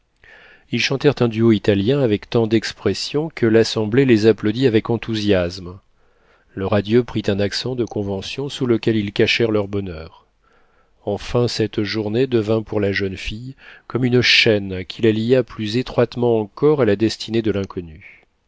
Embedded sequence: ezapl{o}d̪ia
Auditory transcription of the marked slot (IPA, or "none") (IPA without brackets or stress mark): o